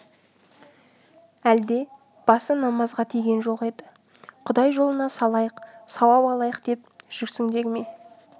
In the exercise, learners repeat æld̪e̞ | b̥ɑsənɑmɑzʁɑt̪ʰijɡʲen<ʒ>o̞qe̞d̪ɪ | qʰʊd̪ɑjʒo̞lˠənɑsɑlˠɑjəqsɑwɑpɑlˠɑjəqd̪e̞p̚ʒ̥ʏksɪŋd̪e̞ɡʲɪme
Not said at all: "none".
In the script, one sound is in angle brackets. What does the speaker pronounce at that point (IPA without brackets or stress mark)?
ʒ